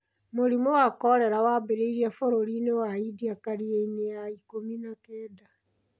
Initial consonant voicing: voiced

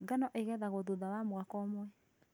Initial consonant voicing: voiced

